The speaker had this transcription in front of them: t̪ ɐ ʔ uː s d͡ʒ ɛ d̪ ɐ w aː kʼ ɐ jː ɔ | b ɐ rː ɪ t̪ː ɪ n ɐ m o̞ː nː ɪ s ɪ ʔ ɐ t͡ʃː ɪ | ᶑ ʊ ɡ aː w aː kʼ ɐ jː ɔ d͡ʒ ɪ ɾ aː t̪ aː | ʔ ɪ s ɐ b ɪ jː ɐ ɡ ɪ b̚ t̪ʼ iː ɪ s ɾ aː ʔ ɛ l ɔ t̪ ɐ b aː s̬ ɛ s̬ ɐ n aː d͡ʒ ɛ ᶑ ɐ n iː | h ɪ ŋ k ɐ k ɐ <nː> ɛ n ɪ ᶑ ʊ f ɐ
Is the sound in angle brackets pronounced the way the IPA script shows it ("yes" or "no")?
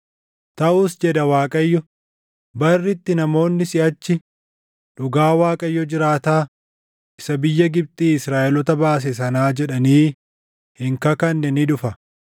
yes